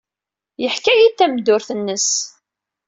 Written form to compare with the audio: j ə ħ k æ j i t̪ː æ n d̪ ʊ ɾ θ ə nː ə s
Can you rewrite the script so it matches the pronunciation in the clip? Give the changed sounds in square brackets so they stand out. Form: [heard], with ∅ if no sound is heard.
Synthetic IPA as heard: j ə ħ k æ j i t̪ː æ [m] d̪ ʊ ɾ θ ə nː ə s

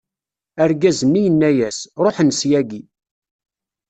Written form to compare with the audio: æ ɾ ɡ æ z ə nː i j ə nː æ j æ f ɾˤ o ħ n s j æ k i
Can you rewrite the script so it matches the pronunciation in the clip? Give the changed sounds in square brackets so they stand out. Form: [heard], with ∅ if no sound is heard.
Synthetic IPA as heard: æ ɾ ɡ æ z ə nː i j ə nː æ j æ [s] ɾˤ o ħ n s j æ [ɡ] i

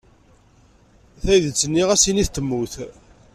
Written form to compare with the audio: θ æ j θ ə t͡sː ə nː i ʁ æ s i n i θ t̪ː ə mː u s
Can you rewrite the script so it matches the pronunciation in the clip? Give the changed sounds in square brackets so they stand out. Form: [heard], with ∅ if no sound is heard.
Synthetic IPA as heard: θ æ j [ð] ə t͡sː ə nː i ʁ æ s i n i θ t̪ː ə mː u [θ]

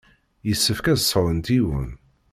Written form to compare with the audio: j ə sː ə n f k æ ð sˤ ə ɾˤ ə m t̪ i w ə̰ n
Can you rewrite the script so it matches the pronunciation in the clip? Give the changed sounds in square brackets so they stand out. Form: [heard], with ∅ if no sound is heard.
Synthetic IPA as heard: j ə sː ə [∅] f k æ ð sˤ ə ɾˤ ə [n] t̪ i w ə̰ n

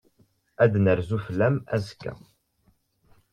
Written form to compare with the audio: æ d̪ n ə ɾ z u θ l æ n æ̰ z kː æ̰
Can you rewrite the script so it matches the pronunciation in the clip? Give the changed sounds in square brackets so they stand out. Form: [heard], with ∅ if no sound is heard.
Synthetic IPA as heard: æ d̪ n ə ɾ z u [f] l æ [m] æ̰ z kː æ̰

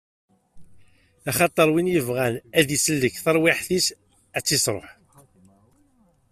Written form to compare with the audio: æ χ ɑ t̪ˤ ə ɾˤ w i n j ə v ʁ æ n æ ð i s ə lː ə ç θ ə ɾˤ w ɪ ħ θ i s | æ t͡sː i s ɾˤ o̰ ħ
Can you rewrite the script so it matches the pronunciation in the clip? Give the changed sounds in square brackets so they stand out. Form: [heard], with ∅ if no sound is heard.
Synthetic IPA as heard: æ χ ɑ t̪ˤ ə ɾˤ w i n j ə v ʁ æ n æ ð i s ə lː ə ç θ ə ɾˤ w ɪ ħ θ i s | æ t͡sː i s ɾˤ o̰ ħ

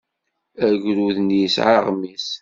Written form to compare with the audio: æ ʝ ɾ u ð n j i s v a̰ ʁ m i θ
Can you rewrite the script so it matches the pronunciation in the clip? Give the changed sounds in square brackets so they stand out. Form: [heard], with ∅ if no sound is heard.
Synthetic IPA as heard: æ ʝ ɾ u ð n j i s [ʕ] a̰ ʁ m i [s]

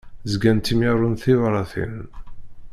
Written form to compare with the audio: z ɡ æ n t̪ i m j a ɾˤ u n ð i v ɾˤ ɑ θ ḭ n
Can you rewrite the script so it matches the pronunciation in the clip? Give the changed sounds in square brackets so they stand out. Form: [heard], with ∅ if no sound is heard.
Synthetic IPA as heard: z ɡ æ n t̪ i m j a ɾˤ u n [θ] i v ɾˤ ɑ θ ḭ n

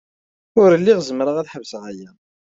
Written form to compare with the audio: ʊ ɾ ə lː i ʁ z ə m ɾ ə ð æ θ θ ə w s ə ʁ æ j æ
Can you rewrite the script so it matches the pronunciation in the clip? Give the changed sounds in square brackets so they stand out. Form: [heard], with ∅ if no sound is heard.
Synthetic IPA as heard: ʊ ɾ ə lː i ʁ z ə m ɾ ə [ʁ] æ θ [ħ] ə [v] s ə ʁ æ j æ

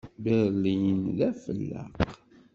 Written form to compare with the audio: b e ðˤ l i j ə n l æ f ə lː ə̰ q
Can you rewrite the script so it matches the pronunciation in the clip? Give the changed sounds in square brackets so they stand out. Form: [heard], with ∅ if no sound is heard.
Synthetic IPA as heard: b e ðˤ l i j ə n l æ f ə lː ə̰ q

